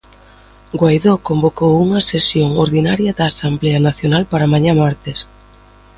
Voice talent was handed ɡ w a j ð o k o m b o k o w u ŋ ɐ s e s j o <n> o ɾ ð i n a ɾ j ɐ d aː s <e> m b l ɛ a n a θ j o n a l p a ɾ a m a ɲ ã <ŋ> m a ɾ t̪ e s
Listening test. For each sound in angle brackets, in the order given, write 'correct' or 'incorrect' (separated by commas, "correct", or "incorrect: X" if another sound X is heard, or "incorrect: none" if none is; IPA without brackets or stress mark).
incorrect: ŋ, incorrect: a, incorrect: none